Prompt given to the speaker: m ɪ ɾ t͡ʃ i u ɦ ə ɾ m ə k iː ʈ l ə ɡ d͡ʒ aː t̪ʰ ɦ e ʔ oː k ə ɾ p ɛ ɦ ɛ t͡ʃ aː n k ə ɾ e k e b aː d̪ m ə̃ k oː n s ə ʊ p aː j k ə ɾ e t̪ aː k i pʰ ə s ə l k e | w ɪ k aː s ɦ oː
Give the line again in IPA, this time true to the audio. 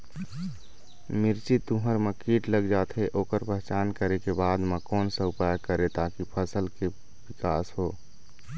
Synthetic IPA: m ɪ ɾ t͡ʃ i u ɦ ə ɾ m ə k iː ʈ l ə ɡ d͡ʒ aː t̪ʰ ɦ e ʔ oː k ə ɾ p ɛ ɦ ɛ t͡ʃ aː n k ə ɾ e k e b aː d̪ m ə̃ k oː n s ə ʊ p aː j k ə ɾ e t̪ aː k i pʰ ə s ə l k e | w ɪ k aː s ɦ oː

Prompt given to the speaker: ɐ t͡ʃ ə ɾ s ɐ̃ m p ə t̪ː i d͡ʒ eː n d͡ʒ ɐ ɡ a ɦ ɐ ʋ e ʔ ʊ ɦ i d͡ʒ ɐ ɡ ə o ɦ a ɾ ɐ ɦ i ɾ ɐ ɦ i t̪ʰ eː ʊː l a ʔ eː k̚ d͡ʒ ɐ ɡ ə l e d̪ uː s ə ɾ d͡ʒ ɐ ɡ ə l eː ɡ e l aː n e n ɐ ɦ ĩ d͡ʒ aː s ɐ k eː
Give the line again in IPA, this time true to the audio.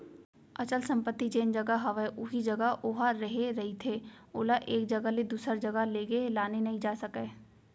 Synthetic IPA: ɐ t͡ʃ ə l s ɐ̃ m p ə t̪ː i d͡ʒ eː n d͡ʒ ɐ ɡ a ɦ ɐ ʋ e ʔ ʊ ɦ i d͡ʒ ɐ ɡ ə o ɦ a ɾ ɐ ɦ e ɾ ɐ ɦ i t̪ʰ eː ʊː l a ʔ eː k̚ d͡ʒ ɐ ɡ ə l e d̪ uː s ə ɾ d͡ʒ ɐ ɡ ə l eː ɡ e l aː n e n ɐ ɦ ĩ d͡ʒ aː s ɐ k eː

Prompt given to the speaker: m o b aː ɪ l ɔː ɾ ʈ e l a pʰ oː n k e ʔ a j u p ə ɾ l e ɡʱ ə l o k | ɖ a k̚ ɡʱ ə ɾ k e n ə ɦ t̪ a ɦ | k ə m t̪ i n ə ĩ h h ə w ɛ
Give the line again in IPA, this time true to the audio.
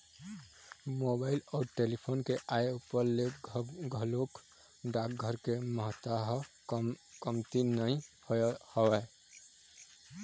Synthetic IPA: m o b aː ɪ l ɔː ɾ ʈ e l i pʰ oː n k e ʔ a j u p ə ɾ l e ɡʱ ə l o k | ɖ a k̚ ɡʱ ə ɾ k e m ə ɦ t̪ a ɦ | k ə m t̪ i n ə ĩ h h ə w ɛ

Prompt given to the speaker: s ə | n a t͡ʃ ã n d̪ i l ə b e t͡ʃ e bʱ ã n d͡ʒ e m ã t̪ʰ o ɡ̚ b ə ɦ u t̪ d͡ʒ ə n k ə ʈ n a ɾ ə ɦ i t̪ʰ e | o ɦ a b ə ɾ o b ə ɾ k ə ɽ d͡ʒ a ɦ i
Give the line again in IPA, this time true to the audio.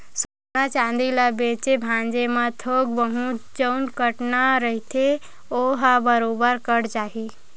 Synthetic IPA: s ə | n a t͡ʃ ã n d̪ i l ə b e t͡ʃ e bʱ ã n d͡ʒ e m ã t̪ʰ o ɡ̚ b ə ɦ u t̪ d͡ʒ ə n k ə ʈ n a ɾ ə ɦ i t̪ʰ e | o ɦ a b ə ɾ o b ə ɾ k ə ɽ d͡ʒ a ɦ i

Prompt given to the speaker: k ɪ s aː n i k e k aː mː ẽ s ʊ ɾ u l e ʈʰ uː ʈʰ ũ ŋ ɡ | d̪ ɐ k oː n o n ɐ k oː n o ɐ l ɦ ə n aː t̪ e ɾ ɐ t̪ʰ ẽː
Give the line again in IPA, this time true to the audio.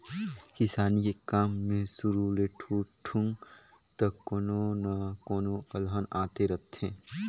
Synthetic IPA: k ɪ s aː n i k e k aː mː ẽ s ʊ ɾ u l e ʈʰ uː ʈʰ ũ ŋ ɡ | t̪ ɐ k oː n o n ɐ k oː n o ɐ l ɦ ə n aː t̪ e ɾ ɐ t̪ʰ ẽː

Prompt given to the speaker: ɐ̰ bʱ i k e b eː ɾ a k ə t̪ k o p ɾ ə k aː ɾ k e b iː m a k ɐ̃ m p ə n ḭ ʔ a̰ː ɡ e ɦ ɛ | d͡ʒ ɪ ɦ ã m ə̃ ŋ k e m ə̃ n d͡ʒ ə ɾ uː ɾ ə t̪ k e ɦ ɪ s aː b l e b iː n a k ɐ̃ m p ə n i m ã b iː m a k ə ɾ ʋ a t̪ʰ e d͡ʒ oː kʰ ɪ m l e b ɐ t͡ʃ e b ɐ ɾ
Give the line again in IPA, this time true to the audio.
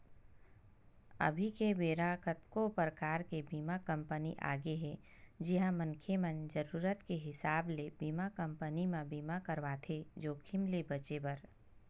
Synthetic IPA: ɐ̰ bʱ i k e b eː ɾ a k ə t̪ k o p ɾ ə k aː ɾ k e b iː m a k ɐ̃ m p ə n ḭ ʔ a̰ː ɡ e ɦ ɛ | d͡ʒ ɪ ɦ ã m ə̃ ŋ kʰ e m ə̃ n d͡ʒ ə ɾ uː ɾ ə t̪ k e ɦ ɪ s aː b l e b iː m a k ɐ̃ m p ə n i m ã b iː m a k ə ɾ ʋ a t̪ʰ e d͡ʒ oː kʰ ɪ m l e b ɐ t͡ʃ e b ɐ ɾ

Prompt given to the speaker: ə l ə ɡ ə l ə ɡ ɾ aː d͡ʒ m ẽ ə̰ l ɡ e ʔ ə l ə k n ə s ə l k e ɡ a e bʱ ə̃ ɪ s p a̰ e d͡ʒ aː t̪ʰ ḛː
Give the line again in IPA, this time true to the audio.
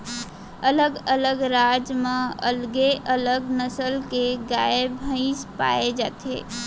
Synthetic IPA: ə l ə ɡ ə l ə ɡ ɾ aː d͡ʒ m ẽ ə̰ l ɡ e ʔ ə l ə ɡ n ə s ə l k e ɡ a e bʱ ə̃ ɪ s p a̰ e d͡ʒ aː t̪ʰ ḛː

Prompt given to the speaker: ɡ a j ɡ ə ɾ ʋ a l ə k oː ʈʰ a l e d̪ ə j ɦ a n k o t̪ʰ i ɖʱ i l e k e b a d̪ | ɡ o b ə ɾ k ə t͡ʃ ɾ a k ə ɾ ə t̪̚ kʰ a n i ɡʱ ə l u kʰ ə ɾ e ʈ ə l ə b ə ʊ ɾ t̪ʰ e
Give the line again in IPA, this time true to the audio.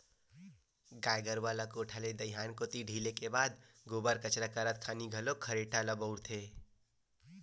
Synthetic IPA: ɡ a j ɡ ə ɾ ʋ a l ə k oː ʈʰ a l e d̪ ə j ɦ a n k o t̪ i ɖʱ i l e k e b a d̪ | ɡ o b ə ɾ k ə t͡ʃ ɾ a k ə ɾ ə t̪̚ kʰ a n i ɡʱ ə l o kʰ ə ɾ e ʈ a l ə b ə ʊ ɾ t̪ʰ e

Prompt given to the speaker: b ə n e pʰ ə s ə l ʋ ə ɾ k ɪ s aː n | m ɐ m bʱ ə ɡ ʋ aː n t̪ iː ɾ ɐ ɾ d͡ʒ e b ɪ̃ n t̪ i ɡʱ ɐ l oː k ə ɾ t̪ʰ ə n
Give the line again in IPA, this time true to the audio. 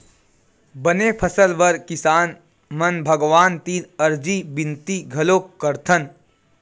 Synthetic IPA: b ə n e pʰ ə s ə l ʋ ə ɾ k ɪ s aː n | m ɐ n bʱ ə ɡ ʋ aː n t̪ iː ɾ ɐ ɾ d͡ʒ i b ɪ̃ n t̪ i ɡʱ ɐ l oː k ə ɾ t̪ʰ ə n

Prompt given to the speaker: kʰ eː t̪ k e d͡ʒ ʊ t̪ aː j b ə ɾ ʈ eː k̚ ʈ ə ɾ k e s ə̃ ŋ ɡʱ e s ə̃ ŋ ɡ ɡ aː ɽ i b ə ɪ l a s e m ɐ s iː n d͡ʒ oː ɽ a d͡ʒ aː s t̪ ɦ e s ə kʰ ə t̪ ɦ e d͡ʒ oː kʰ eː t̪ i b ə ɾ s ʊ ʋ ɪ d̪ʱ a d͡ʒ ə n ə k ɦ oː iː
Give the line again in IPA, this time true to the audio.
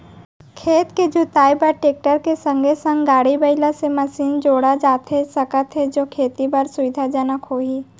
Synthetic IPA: kʰ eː t̪ k e d͡ʒ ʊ t̪ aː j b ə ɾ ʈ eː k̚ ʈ ə ɾ k e s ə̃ ŋ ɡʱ e s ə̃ ŋ ɡ ɡ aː ɽ i b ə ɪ l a s e m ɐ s iː n d͡ʒ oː ɽ a d͡ʒ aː t̪ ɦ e s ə k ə t̪ ɦ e d͡ʒ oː kʰ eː t̪ i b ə ɾ s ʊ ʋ ɪ d̪ʱ a d͡ʒ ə n ə k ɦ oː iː

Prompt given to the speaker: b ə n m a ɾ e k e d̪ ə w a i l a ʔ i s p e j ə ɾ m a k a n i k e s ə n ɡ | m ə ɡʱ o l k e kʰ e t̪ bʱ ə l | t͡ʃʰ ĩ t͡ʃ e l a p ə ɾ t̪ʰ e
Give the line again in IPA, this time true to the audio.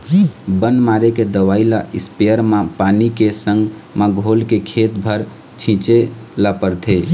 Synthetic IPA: b ə n m a ɾ e k e d̪ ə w a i l a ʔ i s p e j ə ɾ m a p a n i k e s ə ŋ ɡ | m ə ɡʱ o l k e kʰ e t̪ bʱ ə ɾ | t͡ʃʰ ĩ t͡ʃ e l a p ə ɾ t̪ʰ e

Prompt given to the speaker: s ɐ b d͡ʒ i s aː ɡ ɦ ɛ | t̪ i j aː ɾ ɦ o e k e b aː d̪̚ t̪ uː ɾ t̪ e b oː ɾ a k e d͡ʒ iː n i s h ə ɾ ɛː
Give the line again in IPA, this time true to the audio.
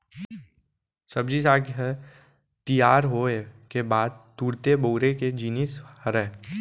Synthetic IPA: s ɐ b d͡ʒ i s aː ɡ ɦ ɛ | t̪ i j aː ɾ ɦ o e k e b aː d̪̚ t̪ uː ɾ t̪ e b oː ɾ e k e d͡ʒ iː n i s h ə ɾ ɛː

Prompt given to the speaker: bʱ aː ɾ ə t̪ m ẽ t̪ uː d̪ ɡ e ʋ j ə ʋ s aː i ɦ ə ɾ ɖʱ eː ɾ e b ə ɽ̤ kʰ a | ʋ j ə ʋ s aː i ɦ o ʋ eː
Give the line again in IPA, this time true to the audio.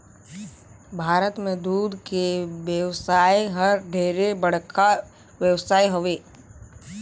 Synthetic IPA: bʱ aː ɾ ə t̪ m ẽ d̪ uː d̪ k e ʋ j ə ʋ s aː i ɦ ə ɾ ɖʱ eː ɾ e b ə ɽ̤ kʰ a | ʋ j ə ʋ s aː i ɦ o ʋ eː

